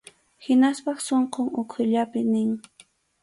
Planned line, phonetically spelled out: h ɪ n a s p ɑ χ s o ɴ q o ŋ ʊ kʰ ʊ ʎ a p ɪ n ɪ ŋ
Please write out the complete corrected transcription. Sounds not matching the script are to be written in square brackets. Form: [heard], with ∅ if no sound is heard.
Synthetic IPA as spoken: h ɪ n a s p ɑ χ s o ɴ q o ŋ ʊ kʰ ʊ ʎ a p ɪ n ɪ ŋ